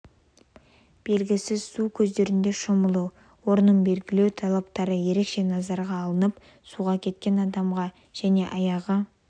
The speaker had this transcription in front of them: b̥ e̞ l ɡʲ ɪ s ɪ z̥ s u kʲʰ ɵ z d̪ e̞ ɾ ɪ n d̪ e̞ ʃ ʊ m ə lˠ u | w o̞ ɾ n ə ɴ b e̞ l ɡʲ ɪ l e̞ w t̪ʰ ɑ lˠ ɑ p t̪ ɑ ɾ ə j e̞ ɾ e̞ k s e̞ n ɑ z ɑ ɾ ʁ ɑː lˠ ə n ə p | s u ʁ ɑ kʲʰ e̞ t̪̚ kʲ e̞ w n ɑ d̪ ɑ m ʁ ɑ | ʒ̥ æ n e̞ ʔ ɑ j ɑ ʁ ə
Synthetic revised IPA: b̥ e̞ l ɡʲ ɪ s ɪ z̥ s u kʲʰ ɵ z d̪ e̞ ɾ ɪ n d̪ e̞ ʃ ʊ m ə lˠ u | w o̞ ɾ n ə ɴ b e̞ l ɡʲ ɪ l e̞ w t̪ʰ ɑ lˠ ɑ p t̪ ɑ ɾ ə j e̞ ɾ e̞ k ʃ e̞ n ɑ z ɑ ɾ ʁ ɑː lˠ ə n ə p | s u ʁ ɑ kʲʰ e̞ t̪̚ kʲ e̞ n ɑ d̪ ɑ m ʁ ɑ | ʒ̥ æ n e̞ ʔ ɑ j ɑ ʁ ə